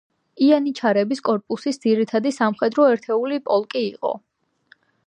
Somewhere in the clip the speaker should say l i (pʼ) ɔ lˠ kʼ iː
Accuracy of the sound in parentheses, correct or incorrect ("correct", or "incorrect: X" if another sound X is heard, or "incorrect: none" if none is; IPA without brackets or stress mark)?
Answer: correct